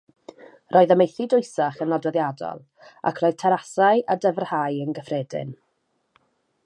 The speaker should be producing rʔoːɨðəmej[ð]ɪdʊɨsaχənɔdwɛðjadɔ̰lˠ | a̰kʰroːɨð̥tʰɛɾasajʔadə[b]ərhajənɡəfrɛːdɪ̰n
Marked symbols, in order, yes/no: no, no

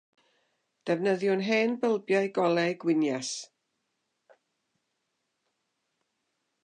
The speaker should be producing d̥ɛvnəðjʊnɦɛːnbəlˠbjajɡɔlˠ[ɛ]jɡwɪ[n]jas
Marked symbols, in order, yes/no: yes, yes

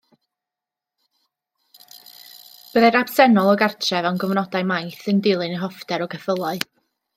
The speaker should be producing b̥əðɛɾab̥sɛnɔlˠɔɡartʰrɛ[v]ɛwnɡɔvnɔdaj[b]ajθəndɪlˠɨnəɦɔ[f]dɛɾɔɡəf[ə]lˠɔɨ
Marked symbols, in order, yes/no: yes, no, yes, yes

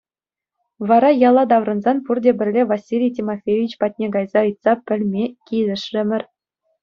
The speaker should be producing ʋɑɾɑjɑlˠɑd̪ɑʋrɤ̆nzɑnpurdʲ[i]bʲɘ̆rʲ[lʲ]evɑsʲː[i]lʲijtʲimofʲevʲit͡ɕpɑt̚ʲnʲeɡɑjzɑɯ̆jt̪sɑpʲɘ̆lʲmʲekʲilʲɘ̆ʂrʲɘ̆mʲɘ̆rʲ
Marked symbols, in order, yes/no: no, yes, yes

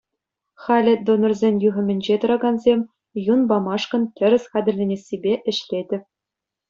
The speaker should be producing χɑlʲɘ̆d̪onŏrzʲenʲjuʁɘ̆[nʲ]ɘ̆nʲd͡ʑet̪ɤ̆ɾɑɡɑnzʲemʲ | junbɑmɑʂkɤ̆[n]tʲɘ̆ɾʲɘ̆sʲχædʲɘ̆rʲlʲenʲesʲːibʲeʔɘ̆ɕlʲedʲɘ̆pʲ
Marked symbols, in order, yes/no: no, yes

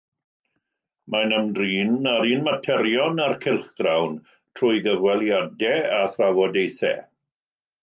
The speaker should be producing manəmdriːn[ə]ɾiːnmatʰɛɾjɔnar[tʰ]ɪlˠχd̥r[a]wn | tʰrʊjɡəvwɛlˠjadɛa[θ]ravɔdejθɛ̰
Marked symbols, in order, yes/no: no, no, yes, yes

